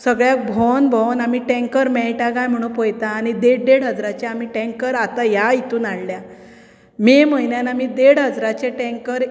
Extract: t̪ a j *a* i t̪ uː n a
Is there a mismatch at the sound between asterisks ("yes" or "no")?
no